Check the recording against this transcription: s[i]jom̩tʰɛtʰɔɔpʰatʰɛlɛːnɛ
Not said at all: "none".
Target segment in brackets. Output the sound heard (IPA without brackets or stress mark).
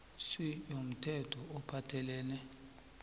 i